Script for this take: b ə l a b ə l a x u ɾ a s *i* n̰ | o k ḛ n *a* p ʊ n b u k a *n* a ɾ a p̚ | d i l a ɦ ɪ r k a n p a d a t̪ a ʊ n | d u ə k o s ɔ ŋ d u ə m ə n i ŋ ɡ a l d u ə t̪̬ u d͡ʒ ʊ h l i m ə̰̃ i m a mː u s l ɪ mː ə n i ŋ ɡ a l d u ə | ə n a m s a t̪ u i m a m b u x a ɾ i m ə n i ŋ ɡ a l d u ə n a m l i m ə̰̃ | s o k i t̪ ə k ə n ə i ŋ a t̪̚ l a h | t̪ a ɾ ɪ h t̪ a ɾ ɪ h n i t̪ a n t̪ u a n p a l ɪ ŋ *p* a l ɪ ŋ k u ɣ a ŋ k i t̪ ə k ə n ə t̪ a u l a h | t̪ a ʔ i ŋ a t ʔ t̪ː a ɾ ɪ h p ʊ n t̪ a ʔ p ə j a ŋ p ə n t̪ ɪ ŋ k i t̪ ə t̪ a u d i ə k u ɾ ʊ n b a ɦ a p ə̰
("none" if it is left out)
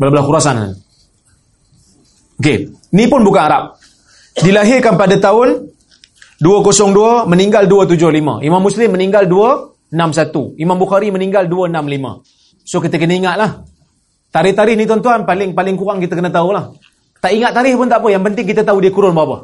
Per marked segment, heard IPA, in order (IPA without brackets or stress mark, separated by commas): a, i, n, p